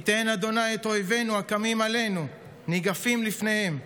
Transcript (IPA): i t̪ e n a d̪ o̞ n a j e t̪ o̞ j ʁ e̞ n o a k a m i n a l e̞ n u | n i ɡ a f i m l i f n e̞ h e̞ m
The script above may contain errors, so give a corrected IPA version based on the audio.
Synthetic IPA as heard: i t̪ e n a d̪ o̞ n a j e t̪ o̞ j v e̞ n u a k a m i m a l e̞ n u | n i ɡ a f i m l i f n e̞ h e̞ m